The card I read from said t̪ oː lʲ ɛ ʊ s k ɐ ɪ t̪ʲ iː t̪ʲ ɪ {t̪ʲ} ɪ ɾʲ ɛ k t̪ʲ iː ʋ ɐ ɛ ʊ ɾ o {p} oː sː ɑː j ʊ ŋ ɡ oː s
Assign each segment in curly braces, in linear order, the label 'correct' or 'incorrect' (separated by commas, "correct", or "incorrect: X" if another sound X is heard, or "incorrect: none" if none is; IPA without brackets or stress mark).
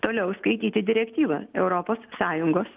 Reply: incorrect: d̪ʲ, correct